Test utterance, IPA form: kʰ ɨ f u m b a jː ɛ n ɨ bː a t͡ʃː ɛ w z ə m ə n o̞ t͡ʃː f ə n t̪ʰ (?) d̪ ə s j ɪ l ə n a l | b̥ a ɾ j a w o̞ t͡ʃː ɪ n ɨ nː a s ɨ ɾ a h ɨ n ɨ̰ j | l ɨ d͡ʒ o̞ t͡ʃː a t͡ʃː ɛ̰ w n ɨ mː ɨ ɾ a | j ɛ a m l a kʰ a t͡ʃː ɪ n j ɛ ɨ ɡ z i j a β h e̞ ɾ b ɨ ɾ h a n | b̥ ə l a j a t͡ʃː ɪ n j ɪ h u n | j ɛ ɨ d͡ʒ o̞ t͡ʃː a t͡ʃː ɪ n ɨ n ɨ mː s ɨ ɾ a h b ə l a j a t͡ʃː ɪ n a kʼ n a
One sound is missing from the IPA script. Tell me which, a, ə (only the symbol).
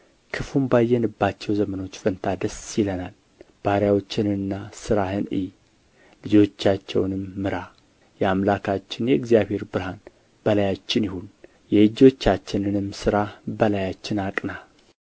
a